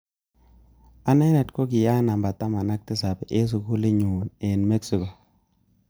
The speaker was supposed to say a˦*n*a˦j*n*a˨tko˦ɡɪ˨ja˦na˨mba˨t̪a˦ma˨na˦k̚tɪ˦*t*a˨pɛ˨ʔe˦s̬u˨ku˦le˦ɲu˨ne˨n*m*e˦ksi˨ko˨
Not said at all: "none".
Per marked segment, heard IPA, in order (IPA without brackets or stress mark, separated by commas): n, n, s, m